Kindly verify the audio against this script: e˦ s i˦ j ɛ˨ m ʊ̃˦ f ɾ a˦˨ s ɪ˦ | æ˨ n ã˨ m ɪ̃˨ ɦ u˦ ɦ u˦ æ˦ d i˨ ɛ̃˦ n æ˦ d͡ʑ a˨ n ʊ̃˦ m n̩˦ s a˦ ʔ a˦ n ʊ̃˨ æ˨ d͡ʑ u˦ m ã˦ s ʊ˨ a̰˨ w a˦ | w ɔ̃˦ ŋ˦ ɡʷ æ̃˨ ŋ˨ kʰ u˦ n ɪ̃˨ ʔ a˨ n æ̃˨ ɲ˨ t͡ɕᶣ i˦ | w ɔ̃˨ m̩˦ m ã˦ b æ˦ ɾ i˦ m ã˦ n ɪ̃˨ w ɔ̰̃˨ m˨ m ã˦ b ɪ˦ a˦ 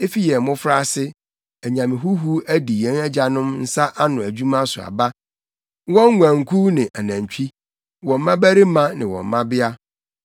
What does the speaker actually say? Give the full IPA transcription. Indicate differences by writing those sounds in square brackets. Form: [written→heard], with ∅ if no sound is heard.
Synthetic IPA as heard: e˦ [s→f] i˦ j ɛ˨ m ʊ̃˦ f ɾ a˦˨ s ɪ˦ | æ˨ [n→ɲ] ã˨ m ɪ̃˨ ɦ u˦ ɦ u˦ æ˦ d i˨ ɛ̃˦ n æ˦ d͡ʑ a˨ n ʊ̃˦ m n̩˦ s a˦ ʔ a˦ n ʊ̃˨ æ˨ d͡ʑ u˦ m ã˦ s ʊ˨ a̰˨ [w→b] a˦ | w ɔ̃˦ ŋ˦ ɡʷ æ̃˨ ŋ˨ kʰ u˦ n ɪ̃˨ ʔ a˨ n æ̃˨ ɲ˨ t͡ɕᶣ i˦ | w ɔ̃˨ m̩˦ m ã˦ b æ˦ ɾ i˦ m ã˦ n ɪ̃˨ w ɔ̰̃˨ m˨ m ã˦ b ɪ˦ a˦

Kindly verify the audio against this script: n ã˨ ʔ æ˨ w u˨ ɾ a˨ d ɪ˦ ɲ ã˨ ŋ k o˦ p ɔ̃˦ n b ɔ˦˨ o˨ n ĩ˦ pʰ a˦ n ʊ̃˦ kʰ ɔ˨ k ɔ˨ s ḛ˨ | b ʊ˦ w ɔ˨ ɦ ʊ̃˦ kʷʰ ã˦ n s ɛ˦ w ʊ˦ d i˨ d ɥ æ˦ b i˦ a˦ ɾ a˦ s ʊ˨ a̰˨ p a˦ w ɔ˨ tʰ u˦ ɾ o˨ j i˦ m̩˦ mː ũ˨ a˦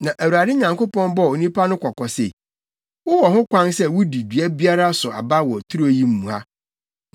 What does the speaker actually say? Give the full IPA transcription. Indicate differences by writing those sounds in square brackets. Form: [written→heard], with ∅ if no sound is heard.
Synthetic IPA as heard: n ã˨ ʔ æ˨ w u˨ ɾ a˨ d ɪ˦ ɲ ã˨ ŋ k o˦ p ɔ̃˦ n b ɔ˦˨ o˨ n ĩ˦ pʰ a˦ n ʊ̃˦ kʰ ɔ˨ k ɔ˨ s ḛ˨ | [b→w] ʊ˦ w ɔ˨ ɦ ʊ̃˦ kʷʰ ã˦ n s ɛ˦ w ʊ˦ d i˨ d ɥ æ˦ b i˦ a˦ ɾ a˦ s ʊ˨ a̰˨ [p→b] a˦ w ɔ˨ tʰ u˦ ɾ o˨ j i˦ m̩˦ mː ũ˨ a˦

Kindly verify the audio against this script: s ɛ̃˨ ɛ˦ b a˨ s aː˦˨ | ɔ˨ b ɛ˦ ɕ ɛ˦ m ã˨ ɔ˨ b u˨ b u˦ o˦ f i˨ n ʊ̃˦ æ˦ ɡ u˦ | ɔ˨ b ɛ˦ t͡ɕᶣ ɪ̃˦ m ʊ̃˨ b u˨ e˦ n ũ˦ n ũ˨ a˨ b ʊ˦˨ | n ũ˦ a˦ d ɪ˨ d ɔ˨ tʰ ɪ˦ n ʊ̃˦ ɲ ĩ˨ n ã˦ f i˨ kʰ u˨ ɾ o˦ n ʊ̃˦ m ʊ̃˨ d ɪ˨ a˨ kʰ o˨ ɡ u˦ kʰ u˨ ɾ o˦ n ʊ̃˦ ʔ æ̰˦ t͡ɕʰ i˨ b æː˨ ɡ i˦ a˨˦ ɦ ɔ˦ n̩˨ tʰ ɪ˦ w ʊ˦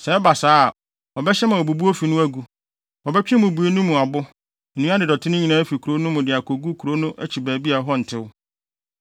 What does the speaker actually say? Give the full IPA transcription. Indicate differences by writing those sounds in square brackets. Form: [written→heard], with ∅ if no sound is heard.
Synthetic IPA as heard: s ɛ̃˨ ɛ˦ b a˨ s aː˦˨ | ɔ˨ b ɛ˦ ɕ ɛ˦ m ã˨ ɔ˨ b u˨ b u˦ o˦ f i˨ n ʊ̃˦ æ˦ ɡ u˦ | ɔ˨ b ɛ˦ t͡ɕᶣ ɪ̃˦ m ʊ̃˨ b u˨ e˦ n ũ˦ [n→m] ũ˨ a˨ b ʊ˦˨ | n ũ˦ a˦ d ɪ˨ d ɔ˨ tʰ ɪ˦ n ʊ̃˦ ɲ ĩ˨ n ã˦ f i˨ kʰ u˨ ɾ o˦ n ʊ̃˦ m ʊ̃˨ d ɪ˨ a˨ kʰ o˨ ɡ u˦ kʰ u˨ ɾ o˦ n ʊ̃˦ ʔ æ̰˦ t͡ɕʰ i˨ b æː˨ [ɡ→b] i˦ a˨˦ ɦ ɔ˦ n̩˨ tʰ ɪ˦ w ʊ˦

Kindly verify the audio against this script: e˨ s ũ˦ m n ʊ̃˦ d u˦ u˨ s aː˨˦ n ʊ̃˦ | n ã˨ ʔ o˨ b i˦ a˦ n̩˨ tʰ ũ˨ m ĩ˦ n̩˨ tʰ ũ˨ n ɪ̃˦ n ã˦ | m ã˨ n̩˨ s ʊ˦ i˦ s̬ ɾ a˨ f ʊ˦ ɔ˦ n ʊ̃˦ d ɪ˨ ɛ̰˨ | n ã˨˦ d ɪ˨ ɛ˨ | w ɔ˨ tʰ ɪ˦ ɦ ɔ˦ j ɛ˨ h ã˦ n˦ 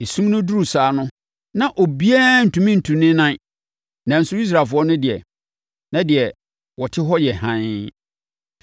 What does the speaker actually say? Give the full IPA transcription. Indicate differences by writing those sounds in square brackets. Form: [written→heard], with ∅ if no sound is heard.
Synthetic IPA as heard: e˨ s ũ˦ m n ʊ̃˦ d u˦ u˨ s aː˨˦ n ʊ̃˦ | n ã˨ ʔ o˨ b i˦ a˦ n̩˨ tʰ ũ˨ m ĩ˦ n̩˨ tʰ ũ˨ n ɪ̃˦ n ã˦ | [m→n] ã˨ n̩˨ s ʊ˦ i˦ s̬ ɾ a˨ f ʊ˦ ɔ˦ n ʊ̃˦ d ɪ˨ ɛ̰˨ | n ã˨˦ d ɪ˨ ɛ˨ | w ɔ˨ tʰ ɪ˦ ɦ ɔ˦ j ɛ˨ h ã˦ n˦

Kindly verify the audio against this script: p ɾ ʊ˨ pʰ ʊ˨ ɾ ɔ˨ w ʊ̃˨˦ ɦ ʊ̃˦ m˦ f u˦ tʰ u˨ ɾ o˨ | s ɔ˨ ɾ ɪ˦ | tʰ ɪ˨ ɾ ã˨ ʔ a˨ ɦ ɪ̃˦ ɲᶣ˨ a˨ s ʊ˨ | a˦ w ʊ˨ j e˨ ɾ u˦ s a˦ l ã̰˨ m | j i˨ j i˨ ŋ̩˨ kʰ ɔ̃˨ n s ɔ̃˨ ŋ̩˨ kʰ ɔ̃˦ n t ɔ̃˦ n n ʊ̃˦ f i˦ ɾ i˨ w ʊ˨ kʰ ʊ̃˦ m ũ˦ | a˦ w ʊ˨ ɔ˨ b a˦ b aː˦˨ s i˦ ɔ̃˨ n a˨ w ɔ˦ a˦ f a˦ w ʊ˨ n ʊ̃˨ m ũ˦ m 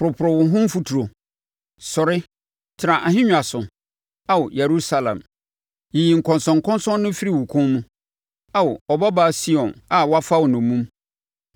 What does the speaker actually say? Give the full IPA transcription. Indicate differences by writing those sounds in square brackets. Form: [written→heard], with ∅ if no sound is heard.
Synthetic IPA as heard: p ɾ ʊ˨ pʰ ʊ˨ ɾ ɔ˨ w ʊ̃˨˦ ɦ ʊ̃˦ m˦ f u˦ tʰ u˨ ɾ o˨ | s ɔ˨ ɾ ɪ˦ | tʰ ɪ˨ ɾ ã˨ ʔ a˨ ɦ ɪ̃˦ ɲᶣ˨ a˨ s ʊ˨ | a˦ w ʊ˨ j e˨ ɾ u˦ s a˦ l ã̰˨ m | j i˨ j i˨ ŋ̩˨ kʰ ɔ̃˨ n s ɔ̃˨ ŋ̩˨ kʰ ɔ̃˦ n [t→s] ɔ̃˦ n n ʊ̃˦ f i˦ ɾ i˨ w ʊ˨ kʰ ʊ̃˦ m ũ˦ | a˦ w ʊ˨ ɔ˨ b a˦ b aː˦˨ s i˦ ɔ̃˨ n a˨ w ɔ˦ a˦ f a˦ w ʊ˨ n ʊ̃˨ m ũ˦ m

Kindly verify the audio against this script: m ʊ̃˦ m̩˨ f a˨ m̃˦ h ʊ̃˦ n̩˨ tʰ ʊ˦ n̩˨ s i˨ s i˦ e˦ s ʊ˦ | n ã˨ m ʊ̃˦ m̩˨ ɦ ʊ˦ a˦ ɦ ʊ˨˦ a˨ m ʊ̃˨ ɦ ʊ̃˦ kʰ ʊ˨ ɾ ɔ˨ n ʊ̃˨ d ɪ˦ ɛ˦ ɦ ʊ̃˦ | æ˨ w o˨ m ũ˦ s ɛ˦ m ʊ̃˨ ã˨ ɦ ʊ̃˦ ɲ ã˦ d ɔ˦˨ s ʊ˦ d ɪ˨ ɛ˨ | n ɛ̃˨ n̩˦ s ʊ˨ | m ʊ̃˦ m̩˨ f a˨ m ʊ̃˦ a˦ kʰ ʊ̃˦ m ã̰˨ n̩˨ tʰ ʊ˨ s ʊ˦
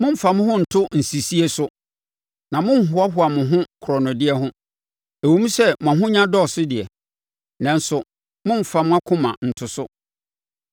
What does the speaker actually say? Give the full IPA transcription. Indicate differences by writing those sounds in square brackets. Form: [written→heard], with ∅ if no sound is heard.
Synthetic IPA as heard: m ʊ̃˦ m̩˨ f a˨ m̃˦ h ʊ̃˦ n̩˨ tʰ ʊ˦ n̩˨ s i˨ s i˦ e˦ s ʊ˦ | n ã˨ m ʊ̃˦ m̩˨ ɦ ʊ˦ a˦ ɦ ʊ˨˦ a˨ m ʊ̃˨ ɦ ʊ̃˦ kʰ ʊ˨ ɾ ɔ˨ n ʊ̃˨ d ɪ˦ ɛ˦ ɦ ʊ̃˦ | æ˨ w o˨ m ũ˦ s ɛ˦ m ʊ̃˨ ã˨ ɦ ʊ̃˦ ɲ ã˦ d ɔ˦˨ s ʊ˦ d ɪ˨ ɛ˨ | n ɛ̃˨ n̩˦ s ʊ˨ | m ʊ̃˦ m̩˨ f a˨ m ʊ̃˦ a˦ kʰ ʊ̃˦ m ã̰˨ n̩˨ tʰ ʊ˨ s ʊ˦

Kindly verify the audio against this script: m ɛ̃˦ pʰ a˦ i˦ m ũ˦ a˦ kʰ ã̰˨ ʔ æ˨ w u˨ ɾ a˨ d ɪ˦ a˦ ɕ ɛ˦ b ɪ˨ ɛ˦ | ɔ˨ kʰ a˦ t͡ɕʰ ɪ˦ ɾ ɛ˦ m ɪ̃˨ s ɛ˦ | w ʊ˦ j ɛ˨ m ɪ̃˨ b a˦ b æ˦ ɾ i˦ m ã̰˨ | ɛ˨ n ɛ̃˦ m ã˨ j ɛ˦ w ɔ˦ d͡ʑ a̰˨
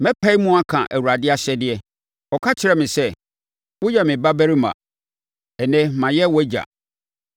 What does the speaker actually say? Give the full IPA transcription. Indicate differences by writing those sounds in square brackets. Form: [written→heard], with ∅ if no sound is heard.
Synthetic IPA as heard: m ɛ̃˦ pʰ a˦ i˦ m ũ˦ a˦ kʰ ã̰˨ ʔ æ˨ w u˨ ɾ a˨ d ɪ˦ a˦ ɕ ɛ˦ [b→d] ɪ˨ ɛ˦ | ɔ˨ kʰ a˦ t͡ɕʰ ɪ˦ ɾ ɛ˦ m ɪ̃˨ s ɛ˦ | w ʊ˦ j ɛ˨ m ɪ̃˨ b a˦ b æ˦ ɾ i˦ m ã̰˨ | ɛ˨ n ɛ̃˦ m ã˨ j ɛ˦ w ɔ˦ d͡ʑ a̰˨

